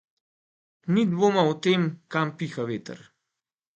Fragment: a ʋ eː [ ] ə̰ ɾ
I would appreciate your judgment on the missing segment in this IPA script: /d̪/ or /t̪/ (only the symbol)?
t̪